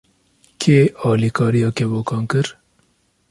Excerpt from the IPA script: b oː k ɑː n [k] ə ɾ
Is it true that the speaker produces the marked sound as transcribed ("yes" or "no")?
yes